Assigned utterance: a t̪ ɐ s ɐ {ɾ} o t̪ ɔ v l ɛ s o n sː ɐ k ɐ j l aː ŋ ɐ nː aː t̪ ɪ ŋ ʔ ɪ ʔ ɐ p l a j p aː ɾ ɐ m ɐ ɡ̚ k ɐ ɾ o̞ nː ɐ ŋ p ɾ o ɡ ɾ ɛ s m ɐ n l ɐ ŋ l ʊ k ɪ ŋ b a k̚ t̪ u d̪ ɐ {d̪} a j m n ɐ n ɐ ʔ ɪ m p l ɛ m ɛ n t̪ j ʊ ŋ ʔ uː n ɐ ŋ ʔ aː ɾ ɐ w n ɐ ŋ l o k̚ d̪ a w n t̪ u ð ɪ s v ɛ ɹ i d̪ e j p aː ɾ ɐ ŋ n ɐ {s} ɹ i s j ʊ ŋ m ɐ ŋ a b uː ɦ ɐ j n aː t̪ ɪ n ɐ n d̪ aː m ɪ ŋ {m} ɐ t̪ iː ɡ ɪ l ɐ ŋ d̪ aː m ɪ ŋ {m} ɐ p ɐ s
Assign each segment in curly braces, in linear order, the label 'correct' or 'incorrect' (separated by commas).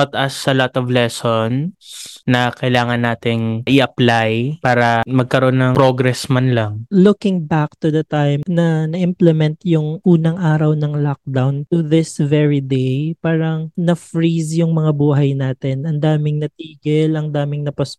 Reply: incorrect, incorrect, incorrect, incorrect, incorrect